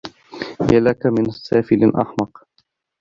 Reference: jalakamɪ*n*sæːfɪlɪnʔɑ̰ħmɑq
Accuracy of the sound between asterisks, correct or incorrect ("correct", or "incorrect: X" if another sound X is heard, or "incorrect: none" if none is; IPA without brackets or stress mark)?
correct